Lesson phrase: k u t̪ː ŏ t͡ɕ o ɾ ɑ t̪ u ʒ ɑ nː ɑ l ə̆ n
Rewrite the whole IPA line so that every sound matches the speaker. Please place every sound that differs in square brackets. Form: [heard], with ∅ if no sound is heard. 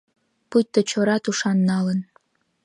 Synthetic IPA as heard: [p] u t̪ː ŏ t͡ɕ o ɾ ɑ t̪ u [ʃ] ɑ nː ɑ l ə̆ n